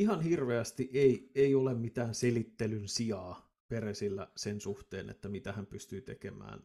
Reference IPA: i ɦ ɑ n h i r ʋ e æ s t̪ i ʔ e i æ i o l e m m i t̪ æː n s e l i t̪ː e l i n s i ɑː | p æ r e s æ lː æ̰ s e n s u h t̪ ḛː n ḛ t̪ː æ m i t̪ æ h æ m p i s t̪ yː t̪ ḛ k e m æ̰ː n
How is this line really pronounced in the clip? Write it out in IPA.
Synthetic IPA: i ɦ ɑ n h i r ʋ e æ s t̪ i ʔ e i e i o l e m m i t̪ æː n s e l i t̪ː e l y n s i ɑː | p e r e s i lː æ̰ s e n s u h t̪ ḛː n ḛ t̪ː æ m i t̪ æ h æ m p y s t̪ yː t̪ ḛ k e m æ̰ː n